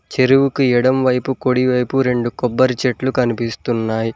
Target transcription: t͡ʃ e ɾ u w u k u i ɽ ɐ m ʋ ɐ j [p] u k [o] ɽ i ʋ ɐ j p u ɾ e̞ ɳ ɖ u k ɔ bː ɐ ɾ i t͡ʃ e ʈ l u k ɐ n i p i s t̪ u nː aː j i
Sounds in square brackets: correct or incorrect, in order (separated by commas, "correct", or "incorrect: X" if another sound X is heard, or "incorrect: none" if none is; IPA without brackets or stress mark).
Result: correct, correct